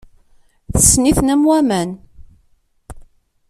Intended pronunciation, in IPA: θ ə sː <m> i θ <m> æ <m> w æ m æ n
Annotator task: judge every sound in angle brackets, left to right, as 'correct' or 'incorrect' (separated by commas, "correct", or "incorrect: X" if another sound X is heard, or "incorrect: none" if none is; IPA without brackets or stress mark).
incorrect: n, incorrect: n, correct